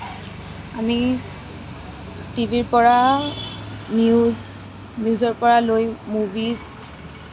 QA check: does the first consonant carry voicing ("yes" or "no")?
yes